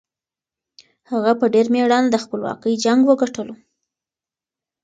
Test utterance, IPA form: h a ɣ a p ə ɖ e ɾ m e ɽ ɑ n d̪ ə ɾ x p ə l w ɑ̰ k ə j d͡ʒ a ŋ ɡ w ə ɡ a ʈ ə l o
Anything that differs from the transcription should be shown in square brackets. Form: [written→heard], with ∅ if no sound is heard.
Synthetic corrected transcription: h a ɣ a p ə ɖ e ɾ m e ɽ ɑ n d̪ ə [ɾ→∅] x p ə l w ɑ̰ k ə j d͡ʒ a ŋ ɡ w ə ɡ a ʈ ə l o